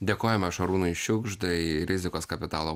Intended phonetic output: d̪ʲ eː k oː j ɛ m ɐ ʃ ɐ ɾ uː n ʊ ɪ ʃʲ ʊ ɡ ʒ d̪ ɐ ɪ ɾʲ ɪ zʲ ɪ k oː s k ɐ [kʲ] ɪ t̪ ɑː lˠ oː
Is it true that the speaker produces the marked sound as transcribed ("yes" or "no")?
no